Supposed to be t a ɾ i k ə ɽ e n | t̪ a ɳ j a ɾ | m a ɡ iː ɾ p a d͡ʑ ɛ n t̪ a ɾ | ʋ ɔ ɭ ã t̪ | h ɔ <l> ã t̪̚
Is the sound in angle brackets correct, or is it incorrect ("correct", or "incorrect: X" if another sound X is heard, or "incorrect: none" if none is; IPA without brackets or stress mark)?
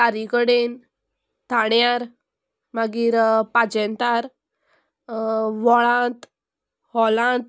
correct